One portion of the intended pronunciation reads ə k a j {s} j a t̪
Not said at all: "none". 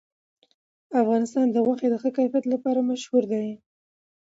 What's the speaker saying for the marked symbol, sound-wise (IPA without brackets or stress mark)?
f